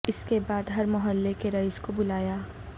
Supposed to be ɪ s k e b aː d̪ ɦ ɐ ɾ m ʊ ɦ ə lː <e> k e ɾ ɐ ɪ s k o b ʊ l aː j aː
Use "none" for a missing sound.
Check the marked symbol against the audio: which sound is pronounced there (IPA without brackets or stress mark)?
e